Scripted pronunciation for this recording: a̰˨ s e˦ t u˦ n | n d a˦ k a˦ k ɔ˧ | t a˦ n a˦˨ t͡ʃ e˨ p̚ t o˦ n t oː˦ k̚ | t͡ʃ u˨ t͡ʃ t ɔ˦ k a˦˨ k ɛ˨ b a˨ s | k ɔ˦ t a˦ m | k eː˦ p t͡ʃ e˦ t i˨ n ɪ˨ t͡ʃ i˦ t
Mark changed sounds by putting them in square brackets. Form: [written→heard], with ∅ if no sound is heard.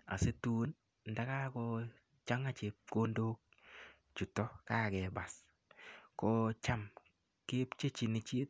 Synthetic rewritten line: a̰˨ s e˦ t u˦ n | n d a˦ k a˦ k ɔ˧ | [t→t͡ʃ] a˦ [n→ŋ] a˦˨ t͡ʃ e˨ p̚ [t→k] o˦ n [t→d] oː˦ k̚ | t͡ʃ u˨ [t͡ʃ→∅] t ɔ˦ k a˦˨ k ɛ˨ b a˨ s | k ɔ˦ [t→t͡ʃ] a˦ m | k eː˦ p t͡ʃ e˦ [t→t͡ʃ] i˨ n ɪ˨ t͡ʃ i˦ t